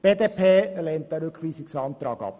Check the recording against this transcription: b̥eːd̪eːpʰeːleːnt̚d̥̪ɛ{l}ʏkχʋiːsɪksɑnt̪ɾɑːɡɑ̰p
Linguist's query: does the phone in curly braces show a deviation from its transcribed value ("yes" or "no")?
yes